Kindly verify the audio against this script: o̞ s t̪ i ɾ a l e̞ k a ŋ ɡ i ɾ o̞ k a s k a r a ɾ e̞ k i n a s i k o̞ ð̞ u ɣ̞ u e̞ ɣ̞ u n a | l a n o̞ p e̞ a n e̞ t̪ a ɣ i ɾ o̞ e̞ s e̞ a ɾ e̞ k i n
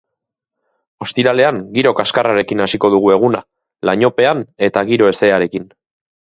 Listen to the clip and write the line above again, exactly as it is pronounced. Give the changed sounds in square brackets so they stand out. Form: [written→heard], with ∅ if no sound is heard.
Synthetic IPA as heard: o̞ s t̪ i ɾ a l e̞ [k→∅] a ŋ ɡ i ɾ o̞ k a s k a r a ɾ e̞ k i n a s i k o̞ ð̞ u ɣ̞ u e̞ ɣ̞ u n a | l a [n→ɲ] o̞ p e̞ a n e̞ t̪ a ɣ i ɾ o̞ e̞ s e̞ a ɾ e̞ k i n